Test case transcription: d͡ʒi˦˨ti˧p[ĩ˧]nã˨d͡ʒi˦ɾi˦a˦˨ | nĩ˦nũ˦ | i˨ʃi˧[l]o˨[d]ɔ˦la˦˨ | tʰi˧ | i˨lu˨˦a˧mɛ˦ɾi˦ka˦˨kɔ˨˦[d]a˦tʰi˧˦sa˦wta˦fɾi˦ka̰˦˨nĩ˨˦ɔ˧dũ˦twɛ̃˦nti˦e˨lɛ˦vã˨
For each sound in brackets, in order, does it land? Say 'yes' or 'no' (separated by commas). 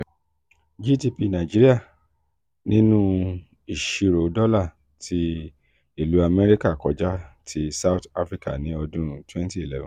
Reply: no, no, yes, no